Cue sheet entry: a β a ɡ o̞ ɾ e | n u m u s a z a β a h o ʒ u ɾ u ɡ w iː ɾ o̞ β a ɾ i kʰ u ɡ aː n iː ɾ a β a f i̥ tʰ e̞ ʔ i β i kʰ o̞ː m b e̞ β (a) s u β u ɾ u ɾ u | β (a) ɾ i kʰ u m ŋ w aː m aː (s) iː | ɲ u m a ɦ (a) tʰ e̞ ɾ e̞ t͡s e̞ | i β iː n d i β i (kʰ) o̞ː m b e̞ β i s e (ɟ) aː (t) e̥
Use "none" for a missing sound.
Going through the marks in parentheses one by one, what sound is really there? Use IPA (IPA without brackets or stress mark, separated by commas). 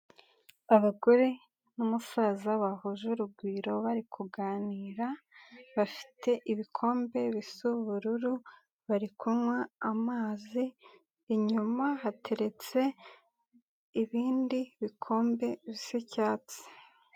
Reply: i, a, z, a, kʰ, c, t͡s